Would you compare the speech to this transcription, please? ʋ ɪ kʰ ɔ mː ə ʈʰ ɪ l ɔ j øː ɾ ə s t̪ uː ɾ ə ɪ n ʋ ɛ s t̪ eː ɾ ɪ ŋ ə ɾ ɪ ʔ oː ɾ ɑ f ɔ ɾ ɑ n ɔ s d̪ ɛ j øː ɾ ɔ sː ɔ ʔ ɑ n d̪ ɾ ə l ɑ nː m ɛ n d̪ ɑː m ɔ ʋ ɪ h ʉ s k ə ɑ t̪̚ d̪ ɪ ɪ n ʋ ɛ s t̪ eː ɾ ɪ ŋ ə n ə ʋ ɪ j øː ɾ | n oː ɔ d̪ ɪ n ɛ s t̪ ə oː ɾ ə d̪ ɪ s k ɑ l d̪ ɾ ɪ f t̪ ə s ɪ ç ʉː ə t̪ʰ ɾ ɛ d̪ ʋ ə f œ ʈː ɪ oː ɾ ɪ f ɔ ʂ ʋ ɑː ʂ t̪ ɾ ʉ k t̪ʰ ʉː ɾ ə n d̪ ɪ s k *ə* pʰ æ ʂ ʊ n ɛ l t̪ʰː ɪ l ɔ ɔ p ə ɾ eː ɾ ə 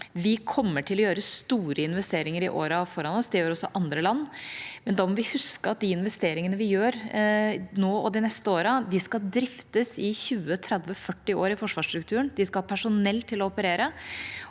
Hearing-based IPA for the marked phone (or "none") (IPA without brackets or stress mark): ɑ